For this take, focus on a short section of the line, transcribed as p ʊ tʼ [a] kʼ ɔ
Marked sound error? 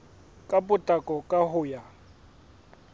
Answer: no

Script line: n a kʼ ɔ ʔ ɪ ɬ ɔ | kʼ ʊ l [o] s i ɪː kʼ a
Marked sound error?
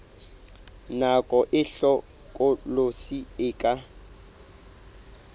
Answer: no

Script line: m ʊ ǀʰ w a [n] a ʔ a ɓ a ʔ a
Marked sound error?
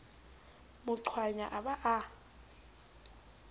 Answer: yes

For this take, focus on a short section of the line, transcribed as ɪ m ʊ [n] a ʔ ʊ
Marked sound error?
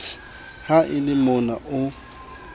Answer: no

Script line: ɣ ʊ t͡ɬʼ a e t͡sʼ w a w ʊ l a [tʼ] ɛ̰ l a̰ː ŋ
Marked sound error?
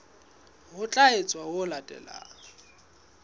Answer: no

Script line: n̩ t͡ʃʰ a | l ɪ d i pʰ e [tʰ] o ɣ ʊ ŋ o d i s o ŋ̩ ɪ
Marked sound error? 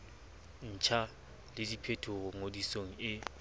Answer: no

